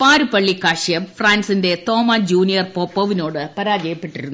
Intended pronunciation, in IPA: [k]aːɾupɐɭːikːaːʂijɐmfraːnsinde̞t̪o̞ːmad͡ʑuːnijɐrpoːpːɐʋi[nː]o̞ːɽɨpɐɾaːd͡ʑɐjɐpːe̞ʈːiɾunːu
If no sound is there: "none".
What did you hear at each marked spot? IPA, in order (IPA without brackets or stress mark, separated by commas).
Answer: p, n